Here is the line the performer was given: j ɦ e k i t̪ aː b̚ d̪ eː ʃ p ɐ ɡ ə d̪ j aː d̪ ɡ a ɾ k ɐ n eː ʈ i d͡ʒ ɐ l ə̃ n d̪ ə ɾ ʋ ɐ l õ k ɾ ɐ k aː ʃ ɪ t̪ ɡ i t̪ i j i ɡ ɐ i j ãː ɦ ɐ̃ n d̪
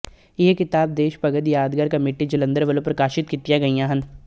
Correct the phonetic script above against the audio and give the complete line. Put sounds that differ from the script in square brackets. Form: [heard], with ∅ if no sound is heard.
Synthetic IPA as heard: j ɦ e k [ɪ] t̪ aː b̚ d̪ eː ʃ p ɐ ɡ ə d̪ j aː d̪ ɡ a ɾ k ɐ [m] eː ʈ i d͡ʒ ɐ l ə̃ n d̪ ə ɾ ʋ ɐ l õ [p] ɾ ɐ k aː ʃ ɪ t̪ [k] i t̪ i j [a] ɡ ɐ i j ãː ɦ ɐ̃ n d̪